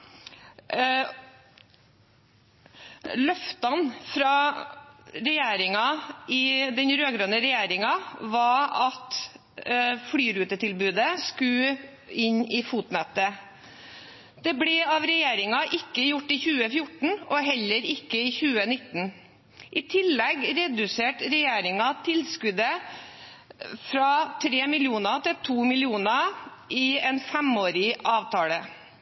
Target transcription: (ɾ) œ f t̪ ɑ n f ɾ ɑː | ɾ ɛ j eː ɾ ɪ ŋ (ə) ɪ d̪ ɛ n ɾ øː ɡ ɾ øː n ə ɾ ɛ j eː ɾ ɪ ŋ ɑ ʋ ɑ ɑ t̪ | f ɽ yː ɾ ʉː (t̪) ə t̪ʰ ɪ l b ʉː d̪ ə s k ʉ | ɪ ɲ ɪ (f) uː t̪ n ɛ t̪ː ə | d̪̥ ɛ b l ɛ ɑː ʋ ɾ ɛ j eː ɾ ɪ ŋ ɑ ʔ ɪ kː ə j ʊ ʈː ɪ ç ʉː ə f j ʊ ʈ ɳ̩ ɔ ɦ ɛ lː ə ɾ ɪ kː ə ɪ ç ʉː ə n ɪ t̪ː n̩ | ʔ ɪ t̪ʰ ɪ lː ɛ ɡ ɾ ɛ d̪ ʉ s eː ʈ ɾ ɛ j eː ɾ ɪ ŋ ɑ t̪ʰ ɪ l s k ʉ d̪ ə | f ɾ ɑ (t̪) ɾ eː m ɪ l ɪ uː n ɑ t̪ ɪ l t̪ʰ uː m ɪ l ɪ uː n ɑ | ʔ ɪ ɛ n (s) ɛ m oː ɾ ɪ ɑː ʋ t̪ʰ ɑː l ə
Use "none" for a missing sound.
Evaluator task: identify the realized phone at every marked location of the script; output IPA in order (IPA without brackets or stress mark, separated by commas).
l, ɑ, t̪, f, t̪ʰ, f